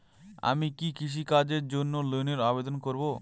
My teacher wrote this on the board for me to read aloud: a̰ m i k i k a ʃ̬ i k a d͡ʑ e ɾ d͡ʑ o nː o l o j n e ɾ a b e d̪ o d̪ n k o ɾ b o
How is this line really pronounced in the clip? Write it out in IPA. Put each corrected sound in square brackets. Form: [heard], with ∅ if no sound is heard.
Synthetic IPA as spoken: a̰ m i k i k [i] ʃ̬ i k a d͡ʑ e ɾ d͡ʑ o nː o l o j n e ɾ a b e d̪ o [∅] n k o ɾ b o